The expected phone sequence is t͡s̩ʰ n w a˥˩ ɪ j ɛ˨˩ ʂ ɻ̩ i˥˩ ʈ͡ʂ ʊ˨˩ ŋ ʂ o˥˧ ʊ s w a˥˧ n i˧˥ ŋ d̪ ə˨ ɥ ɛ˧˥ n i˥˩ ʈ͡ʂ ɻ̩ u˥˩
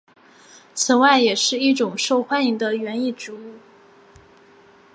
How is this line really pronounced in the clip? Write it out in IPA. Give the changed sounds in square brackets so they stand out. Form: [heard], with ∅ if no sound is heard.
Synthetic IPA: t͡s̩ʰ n w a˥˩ ɪ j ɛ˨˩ ʂ ɻ̩ i˥˩ ʈ͡ʂ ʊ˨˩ ŋ ʂ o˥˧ ʊ [x] w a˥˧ n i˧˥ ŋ d̪ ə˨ ɥ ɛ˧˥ n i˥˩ ʈ͡ʂ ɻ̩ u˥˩